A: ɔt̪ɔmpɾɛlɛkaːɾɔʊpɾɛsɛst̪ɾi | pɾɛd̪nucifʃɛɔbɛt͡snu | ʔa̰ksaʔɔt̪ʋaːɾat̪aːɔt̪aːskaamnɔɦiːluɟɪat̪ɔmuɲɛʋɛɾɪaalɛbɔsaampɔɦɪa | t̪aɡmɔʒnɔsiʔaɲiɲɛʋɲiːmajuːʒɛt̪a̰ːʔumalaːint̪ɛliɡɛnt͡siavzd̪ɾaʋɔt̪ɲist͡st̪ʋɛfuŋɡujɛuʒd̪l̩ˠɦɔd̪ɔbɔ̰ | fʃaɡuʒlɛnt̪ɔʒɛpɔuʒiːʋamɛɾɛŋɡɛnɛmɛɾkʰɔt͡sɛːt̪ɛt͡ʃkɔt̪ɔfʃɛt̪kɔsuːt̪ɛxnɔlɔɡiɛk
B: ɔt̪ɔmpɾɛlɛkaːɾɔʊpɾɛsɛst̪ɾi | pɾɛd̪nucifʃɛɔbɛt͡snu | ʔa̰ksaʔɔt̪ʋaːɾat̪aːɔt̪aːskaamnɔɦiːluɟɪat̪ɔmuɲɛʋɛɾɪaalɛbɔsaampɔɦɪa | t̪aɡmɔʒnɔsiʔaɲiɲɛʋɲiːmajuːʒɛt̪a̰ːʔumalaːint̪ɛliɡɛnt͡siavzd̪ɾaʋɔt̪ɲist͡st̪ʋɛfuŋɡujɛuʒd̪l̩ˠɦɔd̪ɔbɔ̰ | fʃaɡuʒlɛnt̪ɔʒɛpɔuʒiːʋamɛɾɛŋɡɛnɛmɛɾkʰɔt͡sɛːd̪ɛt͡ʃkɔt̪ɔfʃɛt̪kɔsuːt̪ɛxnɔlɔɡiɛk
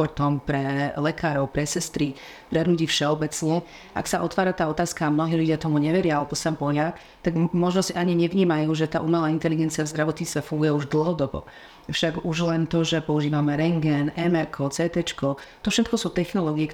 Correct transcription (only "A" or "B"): A